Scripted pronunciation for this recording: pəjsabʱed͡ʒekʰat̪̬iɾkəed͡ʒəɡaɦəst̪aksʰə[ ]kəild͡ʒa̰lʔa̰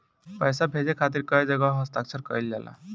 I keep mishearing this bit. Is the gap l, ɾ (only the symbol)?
ɾ